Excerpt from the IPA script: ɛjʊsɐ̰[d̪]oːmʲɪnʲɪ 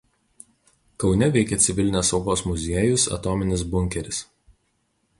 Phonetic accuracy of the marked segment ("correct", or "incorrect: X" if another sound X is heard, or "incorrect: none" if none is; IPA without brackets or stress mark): incorrect: t̪